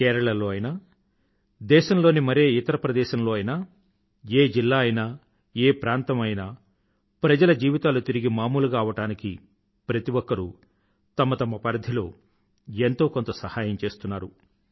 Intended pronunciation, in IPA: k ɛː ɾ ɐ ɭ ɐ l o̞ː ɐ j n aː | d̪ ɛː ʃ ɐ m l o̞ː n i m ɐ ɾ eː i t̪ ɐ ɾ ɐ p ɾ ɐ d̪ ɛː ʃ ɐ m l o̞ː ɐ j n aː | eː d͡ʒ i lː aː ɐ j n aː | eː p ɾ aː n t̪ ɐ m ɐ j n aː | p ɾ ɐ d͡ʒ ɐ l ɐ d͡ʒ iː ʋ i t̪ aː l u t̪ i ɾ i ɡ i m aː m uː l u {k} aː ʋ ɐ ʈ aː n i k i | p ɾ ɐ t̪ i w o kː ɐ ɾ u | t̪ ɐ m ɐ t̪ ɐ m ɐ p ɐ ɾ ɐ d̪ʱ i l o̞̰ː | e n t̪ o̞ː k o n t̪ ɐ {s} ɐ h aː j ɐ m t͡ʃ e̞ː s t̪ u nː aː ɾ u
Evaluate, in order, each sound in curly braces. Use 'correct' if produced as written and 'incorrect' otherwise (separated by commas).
incorrect, correct